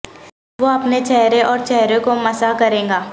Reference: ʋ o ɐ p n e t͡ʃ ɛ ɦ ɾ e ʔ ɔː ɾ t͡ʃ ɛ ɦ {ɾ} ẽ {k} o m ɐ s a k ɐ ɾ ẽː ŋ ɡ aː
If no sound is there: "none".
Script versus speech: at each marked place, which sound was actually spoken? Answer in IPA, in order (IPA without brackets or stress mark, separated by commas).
ɾ, k